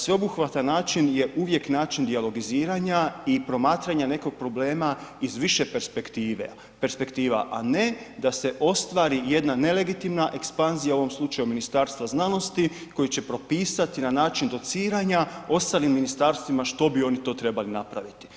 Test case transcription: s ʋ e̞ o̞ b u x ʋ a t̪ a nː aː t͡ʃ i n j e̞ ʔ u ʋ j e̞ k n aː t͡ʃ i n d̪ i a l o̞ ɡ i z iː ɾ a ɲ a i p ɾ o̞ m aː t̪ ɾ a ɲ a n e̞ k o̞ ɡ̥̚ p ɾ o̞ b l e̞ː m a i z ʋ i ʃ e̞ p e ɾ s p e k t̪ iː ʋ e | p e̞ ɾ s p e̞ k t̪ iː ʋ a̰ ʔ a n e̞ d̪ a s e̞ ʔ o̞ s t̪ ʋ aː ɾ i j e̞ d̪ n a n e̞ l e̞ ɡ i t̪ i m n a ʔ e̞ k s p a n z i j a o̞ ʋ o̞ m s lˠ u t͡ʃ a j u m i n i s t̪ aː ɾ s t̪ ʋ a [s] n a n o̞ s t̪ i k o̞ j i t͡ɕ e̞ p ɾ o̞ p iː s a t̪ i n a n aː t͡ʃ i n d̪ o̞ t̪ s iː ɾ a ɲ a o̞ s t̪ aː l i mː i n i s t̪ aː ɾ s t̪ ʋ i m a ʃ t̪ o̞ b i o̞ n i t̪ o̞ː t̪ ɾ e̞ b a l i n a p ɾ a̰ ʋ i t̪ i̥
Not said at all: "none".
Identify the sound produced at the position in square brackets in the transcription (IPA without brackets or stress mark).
z